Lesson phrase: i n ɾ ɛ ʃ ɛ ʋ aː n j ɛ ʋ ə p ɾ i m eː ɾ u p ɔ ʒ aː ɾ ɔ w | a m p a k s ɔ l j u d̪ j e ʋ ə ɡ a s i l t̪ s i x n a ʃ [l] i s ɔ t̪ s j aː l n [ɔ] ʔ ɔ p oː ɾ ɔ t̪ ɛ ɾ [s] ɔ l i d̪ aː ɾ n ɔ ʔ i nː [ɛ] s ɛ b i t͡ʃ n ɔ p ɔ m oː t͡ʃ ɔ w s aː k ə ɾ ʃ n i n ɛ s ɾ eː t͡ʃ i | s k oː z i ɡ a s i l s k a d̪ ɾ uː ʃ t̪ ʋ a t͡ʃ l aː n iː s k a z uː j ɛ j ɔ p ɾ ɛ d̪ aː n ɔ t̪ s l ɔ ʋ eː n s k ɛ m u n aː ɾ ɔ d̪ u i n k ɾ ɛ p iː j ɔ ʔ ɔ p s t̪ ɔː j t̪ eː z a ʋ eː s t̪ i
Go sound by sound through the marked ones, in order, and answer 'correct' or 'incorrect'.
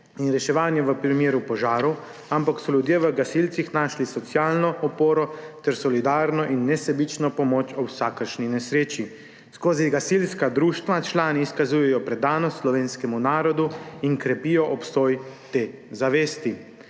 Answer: correct, correct, correct, correct

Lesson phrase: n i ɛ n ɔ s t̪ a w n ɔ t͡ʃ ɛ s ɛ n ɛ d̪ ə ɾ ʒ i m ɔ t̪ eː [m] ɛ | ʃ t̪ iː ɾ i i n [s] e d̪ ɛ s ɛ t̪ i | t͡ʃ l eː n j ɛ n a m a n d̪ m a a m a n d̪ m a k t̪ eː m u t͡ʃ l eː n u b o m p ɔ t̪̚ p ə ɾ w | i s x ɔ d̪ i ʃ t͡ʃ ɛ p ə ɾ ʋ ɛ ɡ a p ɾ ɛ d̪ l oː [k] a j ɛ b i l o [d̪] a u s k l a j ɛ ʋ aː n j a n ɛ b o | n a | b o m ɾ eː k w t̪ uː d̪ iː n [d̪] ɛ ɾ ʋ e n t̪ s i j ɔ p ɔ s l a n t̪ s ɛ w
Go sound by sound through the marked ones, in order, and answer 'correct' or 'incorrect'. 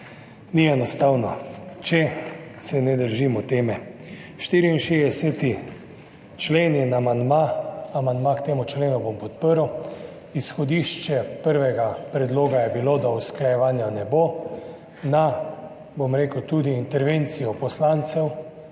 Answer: correct, incorrect, incorrect, correct, incorrect

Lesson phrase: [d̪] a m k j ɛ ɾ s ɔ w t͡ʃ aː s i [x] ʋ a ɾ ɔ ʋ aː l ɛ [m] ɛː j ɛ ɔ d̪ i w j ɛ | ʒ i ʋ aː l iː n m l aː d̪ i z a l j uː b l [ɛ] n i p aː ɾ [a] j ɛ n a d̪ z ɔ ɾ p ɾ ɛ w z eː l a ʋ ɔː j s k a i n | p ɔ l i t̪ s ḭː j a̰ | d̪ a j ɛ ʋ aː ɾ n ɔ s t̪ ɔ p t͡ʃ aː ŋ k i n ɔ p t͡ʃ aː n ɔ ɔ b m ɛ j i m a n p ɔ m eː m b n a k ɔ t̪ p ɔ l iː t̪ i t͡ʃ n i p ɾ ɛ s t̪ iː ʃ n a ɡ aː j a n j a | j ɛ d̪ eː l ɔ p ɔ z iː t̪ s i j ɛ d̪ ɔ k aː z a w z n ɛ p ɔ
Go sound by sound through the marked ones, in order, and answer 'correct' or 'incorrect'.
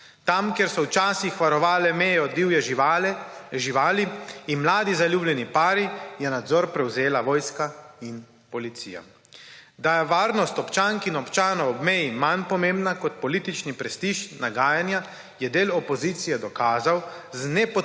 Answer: incorrect, correct, correct, correct, incorrect

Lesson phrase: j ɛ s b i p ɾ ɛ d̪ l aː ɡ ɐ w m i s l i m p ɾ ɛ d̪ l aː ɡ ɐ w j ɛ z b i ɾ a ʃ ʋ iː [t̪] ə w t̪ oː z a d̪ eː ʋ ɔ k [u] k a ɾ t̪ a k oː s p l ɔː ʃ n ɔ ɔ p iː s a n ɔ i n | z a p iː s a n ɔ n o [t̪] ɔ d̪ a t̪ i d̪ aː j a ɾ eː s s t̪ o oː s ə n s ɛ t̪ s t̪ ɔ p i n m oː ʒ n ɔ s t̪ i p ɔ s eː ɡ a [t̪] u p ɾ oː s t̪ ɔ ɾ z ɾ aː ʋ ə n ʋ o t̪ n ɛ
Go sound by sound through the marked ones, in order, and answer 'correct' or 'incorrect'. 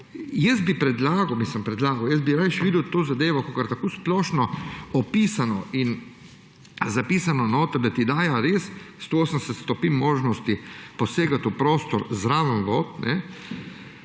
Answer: incorrect, incorrect, correct, correct

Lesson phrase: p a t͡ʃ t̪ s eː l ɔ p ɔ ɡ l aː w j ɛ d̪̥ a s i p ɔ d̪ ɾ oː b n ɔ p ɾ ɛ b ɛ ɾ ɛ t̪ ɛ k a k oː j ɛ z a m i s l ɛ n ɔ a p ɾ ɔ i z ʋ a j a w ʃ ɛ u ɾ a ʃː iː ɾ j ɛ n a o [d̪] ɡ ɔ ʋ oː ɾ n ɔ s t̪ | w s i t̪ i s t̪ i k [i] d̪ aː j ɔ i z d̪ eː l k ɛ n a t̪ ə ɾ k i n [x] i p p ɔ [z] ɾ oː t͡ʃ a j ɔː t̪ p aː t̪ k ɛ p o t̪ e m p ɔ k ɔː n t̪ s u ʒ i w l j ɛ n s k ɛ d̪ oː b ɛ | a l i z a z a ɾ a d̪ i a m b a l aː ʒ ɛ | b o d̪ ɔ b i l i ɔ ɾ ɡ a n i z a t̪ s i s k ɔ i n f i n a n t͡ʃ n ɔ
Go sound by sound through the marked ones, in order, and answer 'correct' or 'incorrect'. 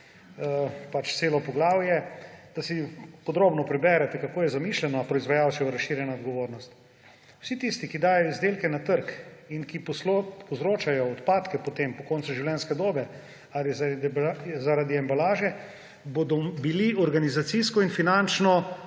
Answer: correct, correct, incorrect, correct

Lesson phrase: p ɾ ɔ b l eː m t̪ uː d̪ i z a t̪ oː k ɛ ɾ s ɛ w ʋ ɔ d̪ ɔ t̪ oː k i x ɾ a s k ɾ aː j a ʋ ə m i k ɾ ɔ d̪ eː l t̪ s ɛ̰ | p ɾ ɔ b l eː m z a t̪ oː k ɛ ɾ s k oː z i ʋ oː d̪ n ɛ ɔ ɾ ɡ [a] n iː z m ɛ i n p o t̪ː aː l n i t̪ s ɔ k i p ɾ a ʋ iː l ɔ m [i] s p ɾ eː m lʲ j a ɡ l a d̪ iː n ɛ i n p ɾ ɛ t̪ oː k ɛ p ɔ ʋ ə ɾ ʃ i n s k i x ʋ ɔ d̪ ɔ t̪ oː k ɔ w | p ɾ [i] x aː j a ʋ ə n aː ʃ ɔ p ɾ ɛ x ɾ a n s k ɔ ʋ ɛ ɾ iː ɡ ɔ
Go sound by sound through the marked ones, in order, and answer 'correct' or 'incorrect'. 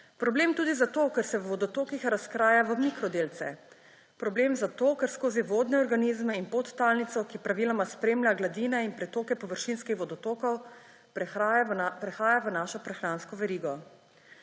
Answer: correct, incorrect, incorrect

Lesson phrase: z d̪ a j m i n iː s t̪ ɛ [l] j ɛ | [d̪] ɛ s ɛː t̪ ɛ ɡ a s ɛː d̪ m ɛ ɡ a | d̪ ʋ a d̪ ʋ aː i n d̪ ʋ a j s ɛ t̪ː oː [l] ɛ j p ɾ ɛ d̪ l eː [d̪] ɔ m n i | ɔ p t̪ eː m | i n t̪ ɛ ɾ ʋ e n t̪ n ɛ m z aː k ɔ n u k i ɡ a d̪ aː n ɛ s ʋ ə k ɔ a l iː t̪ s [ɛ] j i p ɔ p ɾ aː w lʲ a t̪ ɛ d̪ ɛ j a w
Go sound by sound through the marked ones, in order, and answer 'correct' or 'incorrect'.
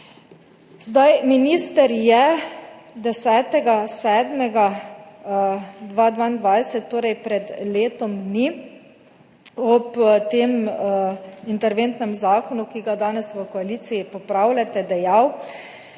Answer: incorrect, correct, incorrect, incorrect, incorrect

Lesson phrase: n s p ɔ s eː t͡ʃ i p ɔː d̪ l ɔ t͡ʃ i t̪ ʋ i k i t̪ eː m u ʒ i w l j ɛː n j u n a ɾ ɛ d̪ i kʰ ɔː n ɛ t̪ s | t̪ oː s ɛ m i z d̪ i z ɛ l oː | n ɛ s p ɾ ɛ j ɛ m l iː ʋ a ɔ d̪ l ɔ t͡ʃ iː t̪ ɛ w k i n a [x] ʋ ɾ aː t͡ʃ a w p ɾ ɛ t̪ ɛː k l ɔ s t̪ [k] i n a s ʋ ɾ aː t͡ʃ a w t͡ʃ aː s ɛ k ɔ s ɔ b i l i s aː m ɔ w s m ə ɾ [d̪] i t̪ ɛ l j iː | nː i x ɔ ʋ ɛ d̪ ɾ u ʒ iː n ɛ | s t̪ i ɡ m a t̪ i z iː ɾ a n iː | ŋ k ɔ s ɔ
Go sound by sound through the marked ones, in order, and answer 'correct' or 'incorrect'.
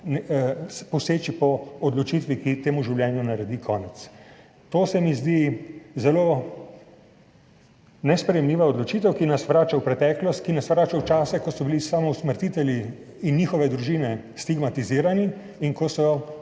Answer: incorrect, correct, incorrect

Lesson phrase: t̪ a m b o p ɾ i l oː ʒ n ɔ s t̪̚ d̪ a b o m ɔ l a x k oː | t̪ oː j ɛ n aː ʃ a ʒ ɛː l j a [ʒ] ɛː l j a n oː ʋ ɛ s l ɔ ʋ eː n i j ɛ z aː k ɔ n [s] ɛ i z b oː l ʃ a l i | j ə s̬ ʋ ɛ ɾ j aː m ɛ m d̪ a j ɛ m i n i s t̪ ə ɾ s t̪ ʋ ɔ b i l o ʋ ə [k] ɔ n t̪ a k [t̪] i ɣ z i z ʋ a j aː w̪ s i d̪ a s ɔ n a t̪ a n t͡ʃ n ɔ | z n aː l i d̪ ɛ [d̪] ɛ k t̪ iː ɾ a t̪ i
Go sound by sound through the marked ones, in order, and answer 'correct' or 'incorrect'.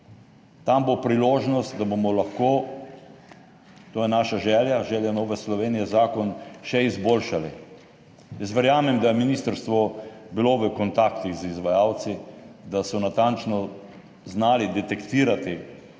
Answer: correct, incorrect, correct, correct, incorrect

